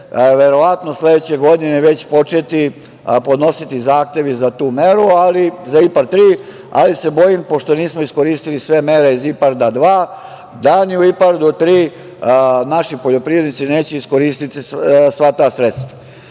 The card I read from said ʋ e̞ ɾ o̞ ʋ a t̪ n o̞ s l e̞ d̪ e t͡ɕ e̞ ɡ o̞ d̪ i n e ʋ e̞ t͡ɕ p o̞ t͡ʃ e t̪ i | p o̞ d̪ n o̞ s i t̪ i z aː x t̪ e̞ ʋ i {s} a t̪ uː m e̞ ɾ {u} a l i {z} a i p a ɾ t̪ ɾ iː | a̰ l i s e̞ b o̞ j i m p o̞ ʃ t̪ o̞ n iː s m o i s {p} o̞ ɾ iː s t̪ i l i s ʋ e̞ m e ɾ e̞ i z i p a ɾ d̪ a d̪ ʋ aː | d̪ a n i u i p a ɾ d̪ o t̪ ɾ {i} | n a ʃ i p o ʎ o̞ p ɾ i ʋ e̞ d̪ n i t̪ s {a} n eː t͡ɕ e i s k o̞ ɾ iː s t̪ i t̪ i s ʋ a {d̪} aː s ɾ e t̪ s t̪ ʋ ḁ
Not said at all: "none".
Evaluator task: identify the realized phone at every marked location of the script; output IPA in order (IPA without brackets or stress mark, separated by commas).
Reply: z, u, z, k, iː, i, t̪